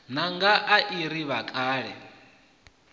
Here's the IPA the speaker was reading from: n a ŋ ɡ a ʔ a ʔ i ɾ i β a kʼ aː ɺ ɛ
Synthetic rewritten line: n a ŋ ɡ a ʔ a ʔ i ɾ i β a kʼ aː ɺ ɛ